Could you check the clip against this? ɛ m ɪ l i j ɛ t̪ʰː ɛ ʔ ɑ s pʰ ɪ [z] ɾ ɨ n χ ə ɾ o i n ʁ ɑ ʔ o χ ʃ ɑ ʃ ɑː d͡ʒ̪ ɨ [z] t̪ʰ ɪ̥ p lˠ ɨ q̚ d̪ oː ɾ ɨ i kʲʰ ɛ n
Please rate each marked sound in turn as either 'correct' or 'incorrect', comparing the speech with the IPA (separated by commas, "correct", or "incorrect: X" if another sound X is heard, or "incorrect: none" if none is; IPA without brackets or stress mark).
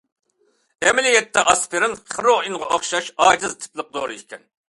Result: incorrect: none, correct